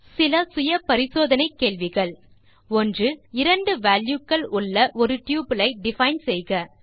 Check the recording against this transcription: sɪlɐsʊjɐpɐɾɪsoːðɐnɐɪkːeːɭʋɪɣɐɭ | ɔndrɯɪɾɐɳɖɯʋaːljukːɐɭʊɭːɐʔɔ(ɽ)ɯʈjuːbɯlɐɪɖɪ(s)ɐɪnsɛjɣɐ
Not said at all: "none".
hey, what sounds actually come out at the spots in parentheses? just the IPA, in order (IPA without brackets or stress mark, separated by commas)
ɾ, f